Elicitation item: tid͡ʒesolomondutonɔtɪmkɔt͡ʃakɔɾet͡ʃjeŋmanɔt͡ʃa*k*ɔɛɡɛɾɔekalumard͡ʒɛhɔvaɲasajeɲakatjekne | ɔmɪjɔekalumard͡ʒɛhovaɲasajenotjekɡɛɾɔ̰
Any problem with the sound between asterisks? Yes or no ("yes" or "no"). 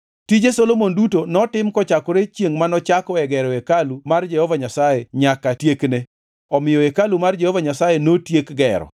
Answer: no